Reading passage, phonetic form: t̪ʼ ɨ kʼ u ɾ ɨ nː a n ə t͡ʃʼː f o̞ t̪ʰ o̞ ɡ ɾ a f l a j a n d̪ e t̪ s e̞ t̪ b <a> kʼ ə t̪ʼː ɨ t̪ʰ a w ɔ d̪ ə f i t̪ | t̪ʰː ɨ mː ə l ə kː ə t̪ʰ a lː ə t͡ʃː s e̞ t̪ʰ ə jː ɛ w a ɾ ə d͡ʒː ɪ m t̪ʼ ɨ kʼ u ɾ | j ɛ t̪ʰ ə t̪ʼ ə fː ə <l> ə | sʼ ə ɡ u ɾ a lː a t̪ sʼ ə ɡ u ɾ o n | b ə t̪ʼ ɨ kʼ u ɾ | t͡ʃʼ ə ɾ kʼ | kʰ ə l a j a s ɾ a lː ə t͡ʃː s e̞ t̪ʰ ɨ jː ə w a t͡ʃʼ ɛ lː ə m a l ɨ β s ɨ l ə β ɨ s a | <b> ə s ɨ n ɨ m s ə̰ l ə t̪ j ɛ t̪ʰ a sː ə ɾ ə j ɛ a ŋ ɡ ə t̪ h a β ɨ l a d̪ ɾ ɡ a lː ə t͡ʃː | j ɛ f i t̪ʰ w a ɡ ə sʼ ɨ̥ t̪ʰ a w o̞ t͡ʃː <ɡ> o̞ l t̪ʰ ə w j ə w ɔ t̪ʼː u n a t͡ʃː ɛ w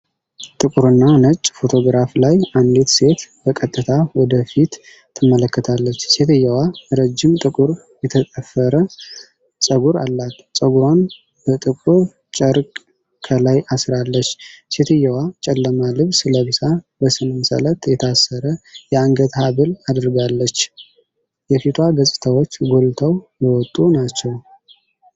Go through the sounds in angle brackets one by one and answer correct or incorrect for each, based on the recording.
incorrect, incorrect, correct, correct

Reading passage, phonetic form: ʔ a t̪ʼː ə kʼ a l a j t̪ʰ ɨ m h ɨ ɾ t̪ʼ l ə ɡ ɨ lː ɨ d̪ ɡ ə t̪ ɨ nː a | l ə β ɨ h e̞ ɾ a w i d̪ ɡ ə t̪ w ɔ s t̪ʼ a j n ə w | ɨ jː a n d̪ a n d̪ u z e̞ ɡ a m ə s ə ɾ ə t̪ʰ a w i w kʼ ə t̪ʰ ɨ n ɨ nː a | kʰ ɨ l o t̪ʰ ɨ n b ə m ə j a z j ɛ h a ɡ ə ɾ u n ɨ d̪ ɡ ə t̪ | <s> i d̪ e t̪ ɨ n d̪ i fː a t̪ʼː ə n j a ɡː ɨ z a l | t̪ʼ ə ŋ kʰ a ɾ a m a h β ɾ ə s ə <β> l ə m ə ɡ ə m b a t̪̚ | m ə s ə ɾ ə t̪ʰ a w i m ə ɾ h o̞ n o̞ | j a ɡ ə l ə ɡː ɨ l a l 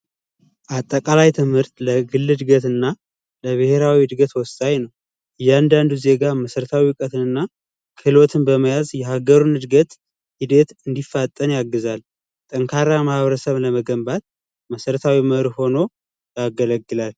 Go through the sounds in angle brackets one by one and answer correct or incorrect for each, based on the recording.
incorrect, correct

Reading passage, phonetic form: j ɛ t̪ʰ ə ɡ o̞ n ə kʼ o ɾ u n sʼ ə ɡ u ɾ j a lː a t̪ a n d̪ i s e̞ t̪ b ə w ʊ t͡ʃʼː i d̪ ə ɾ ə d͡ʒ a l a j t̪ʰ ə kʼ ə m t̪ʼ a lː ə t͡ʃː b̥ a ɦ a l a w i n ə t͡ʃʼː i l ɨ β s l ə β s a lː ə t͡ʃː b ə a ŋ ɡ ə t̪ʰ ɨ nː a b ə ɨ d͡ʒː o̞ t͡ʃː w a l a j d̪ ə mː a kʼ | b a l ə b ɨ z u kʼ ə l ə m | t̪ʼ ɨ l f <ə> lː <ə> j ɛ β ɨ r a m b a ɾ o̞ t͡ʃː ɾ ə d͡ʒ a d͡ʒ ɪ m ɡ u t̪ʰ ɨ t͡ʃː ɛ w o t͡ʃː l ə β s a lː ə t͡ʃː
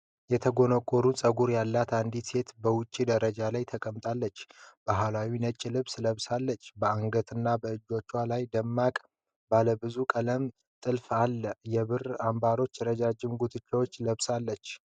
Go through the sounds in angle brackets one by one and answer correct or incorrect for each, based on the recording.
incorrect, correct

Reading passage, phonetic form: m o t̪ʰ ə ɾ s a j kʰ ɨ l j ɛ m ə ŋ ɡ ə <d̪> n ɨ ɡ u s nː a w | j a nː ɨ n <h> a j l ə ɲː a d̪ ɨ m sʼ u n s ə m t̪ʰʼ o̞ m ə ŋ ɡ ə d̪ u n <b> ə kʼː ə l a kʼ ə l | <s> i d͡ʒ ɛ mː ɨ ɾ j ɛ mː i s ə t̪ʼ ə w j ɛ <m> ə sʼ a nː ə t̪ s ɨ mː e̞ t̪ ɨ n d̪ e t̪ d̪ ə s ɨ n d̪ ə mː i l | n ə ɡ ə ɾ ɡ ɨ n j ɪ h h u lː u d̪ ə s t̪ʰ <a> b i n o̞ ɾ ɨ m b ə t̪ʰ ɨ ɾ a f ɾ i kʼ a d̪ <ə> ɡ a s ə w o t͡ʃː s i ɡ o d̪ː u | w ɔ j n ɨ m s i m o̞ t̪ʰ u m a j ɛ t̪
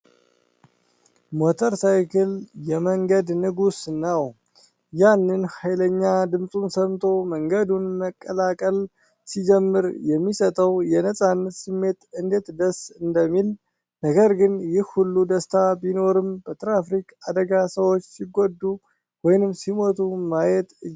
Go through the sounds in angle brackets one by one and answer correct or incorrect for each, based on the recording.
correct, correct, incorrect, correct, incorrect, correct, correct

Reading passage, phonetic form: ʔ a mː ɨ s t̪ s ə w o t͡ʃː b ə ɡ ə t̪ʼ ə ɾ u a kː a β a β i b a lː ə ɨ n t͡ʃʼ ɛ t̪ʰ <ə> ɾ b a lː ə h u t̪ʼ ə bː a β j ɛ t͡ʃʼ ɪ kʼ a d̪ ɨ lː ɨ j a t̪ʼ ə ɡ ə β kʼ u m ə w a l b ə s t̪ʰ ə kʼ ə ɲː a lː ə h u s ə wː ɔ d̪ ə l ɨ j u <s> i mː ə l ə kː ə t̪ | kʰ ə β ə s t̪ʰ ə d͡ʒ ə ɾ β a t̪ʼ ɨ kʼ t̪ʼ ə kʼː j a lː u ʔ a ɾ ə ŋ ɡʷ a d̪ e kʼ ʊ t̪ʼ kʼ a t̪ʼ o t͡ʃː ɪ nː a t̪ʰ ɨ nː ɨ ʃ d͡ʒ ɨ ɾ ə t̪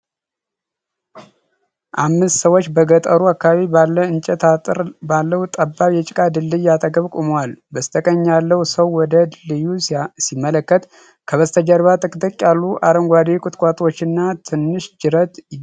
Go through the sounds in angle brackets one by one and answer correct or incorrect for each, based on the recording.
incorrect, correct

